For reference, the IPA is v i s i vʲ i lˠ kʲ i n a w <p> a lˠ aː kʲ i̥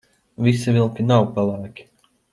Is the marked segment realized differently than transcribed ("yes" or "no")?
no